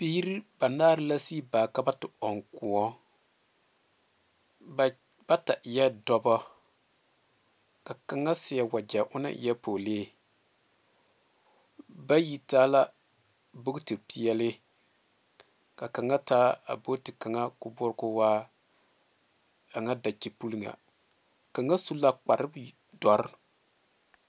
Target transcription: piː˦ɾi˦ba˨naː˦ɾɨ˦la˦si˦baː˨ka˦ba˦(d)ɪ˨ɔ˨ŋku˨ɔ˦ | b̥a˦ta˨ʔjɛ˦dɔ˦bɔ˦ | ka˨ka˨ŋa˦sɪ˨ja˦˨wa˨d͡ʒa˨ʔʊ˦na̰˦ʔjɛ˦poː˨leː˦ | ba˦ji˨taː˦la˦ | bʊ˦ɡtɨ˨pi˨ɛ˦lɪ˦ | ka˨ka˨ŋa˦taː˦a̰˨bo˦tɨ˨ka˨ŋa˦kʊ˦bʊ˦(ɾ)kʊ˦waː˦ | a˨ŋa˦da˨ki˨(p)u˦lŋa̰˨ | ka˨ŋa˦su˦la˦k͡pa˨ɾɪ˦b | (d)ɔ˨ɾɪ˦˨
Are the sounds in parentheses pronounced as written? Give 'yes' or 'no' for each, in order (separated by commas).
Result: no, yes, yes, yes